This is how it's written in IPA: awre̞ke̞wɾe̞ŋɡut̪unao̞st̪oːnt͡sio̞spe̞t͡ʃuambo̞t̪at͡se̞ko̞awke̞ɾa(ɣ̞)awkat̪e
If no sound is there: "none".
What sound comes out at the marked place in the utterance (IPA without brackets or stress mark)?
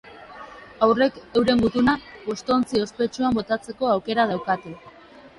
ð̞